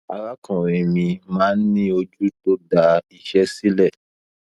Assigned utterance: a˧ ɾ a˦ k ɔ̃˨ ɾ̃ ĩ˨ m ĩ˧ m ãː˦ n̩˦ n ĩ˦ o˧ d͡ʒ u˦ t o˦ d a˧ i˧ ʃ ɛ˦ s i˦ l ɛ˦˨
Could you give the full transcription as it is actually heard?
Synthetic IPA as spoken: a˧ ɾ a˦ k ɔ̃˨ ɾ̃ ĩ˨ m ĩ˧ m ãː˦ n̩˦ n ĩ˦ o˧ d͡ʒ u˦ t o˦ d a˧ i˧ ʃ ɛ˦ s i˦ l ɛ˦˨